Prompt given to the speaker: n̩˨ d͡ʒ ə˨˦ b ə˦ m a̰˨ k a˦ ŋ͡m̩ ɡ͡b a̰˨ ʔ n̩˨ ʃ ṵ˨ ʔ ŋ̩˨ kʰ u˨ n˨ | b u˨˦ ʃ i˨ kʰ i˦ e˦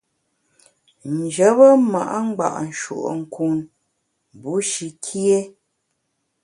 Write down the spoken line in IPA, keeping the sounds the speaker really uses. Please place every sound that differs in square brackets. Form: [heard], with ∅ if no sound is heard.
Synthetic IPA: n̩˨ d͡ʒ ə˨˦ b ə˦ m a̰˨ [ʔ] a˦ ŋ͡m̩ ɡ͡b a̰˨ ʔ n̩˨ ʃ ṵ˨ ʔ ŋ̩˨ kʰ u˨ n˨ | b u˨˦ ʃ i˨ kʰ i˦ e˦